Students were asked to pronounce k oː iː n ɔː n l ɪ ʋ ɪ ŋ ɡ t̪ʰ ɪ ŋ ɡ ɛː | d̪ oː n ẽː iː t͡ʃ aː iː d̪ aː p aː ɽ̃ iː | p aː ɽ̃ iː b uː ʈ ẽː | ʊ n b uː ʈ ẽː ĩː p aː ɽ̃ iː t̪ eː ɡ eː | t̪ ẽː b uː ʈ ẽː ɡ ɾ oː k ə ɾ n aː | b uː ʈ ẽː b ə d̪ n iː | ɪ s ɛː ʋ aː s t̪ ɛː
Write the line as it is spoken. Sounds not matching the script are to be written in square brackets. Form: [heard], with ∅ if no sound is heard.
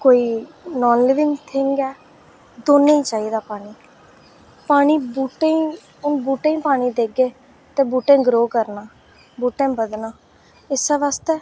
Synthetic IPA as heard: k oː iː n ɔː n l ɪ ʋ ɪ ŋ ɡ t̪ʰ ɪ ŋ ɡ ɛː | d̪ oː n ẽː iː t͡ʃ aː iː d̪ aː p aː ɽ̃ iː | p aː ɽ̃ iː b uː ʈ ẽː | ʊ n b uː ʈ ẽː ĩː p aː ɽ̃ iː [d̪] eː ɡ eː | t̪ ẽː b uː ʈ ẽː ɡ ɾ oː k ə ɾ n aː | b uː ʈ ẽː b ə d̪ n [aː] | ɪ s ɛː ʋ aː s t̪ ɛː